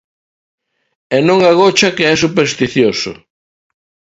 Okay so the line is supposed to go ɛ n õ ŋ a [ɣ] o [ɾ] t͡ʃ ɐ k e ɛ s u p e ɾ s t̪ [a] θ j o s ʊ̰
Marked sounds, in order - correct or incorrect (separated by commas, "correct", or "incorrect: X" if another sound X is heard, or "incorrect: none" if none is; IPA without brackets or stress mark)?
correct, incorrect: none, incorrect: i